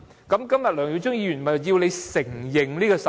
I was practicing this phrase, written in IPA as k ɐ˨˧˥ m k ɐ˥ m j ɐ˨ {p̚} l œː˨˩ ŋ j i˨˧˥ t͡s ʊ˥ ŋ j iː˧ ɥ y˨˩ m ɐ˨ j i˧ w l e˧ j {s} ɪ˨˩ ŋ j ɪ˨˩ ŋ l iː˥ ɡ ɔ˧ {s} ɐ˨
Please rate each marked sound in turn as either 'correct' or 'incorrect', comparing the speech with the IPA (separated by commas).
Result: incorrect, correct, correct